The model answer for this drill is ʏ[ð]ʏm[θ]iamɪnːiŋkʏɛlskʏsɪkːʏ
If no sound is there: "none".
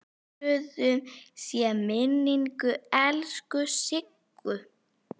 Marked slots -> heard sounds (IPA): ð, s

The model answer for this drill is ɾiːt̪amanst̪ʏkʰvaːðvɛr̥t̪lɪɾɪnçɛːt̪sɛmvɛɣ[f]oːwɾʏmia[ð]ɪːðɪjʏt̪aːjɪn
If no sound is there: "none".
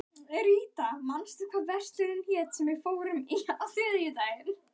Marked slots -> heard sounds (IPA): f, θ

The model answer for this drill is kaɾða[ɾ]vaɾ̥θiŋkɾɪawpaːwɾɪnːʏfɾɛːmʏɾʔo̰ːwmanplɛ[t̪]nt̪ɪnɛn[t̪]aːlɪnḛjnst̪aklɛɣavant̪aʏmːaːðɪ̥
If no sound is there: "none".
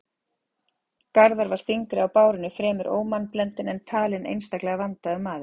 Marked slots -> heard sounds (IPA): ɾ, none, t̪ʰ

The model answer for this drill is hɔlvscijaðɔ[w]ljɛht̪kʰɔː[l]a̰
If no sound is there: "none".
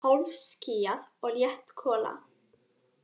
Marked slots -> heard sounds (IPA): ɣ, l

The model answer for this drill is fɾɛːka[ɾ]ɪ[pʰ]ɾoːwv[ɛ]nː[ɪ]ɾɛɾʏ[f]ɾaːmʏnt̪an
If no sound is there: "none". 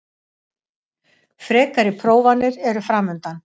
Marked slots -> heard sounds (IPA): ɾ, pʰ, a, ɪ, f

